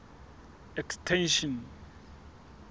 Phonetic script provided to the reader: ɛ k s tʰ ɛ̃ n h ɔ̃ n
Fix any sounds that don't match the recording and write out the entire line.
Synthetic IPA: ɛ k s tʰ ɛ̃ n ʃ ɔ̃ n